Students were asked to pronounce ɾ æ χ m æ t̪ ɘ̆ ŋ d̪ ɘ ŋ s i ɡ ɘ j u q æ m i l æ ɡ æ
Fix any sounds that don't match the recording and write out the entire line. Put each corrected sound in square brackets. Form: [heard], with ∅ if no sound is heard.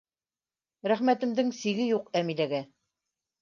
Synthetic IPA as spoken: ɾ æ χ m æ t̪ ɘ̆ [m] d̪ ɘ ŋ s i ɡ ɘ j u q æ m i l æ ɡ æ